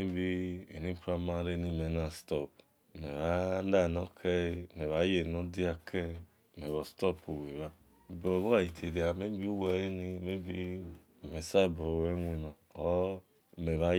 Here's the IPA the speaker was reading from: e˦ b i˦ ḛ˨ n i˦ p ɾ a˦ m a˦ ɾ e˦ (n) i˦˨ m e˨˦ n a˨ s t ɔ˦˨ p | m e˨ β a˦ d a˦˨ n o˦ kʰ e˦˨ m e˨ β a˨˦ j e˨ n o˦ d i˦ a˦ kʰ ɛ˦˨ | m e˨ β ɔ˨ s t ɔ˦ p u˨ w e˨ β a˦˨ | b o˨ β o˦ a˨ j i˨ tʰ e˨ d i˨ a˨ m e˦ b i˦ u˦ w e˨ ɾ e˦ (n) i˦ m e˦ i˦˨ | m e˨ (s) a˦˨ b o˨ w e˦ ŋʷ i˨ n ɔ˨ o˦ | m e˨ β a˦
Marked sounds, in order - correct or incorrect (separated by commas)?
correct, correct, correct